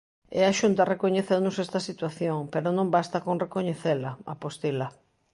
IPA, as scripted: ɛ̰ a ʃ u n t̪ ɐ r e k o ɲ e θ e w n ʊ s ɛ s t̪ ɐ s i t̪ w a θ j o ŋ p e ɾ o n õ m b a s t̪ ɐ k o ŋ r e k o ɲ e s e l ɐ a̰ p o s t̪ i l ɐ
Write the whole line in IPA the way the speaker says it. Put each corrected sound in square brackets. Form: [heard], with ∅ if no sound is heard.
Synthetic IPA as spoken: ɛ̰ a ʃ u n t̪ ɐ r e k o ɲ e θ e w n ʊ s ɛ s t̪ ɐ s i t̪ w a θ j o ŋ p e ɾ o n õ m b a s t̪ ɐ k o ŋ r e k o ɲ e [θ] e l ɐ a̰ p o s t̪ i l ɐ